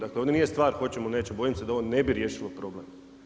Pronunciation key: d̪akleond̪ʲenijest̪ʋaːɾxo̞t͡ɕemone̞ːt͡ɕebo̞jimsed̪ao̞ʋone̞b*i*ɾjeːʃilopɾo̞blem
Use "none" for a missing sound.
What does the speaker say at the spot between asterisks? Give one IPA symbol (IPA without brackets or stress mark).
i